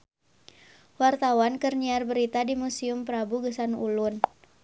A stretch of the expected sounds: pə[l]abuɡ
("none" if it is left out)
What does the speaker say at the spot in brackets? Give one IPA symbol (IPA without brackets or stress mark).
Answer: ɾ